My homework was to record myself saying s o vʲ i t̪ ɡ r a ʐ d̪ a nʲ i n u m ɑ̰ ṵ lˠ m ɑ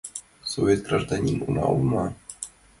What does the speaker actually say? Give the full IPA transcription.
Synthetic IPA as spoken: s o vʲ e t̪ ɡ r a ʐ d̪ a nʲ i n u n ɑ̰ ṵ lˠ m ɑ